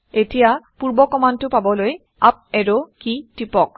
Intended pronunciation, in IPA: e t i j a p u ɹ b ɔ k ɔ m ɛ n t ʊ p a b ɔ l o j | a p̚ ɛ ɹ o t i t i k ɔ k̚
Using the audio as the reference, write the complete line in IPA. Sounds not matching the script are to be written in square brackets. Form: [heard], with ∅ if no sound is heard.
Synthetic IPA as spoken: e t i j a p u ɹ b ɔ k ɔ m [a] n t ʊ p a b ɔ l o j | a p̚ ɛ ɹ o [k] i t i [p] ɔ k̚